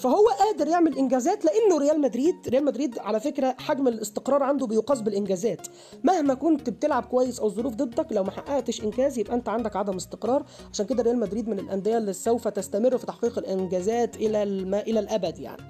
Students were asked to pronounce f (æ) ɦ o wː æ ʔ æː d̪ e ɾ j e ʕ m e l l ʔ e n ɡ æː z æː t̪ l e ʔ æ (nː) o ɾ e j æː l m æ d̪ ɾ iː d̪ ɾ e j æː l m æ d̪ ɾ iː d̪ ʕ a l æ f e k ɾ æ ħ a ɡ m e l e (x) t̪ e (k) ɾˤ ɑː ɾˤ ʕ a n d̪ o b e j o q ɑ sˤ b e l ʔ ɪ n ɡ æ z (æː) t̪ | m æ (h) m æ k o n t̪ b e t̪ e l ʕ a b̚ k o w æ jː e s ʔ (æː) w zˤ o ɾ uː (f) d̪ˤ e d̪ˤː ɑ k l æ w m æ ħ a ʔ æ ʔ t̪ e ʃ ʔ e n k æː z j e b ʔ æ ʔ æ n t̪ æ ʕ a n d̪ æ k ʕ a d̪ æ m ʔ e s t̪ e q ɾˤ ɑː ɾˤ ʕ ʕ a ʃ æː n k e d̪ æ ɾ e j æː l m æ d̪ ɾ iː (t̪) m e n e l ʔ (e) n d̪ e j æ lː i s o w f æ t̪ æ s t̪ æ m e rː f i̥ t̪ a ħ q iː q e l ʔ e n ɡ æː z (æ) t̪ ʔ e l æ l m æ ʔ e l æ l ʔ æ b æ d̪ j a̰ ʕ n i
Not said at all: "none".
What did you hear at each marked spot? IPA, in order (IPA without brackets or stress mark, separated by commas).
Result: æ, nː, s, q, æː, h, æ, f, d̪, æ, æː